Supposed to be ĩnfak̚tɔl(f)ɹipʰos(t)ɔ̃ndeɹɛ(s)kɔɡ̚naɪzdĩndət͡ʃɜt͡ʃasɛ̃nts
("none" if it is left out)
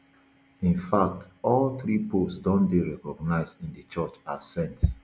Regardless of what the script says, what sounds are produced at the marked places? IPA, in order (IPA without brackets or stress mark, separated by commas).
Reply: θ, d, none